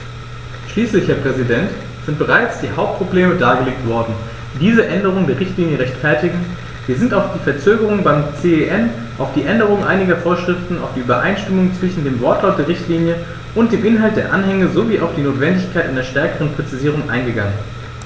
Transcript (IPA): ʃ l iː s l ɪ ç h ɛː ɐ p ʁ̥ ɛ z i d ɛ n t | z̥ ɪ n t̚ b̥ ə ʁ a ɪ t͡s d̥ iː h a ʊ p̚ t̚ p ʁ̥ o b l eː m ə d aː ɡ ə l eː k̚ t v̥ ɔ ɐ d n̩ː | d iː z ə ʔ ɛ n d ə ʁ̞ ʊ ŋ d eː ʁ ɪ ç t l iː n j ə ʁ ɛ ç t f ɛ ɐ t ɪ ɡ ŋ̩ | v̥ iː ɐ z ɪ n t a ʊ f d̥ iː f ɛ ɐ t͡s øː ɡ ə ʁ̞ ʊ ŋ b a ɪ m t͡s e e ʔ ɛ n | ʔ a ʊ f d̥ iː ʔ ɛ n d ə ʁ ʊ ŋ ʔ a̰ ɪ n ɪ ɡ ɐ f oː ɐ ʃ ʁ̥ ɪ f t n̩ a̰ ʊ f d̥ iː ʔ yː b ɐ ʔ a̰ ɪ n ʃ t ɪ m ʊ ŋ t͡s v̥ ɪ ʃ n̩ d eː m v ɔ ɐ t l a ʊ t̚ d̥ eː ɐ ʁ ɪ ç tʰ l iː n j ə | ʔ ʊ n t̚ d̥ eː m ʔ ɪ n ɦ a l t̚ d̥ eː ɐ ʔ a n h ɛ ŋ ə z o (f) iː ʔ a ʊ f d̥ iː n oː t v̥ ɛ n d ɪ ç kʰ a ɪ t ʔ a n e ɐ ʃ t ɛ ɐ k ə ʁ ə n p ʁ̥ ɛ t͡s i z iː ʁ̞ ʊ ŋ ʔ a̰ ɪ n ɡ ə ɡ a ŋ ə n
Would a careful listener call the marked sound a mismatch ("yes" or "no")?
yes